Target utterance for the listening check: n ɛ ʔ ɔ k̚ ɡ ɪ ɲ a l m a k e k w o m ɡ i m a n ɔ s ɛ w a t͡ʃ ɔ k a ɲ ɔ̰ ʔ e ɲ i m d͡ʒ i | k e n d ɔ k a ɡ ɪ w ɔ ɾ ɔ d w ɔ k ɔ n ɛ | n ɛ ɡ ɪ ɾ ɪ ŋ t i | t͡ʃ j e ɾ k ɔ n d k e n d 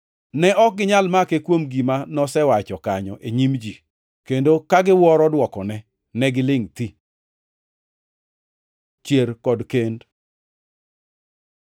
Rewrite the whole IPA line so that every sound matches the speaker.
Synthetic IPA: n ɛ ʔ ɔ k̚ ɡ ɪ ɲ a l m a k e k w o m ɡ i m a n ɔ s ɛ w a t͡ʃ ɔ k a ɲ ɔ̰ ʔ e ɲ i m d͡ʒ i | k e n d o k a ɡ ɪ w ɔ ɾ ɔ d w ɔ k ɔ n ɛ | n ɛ ɡ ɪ l ɪ ŋ t i | t͡ʃ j e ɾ k ɔ d k e n d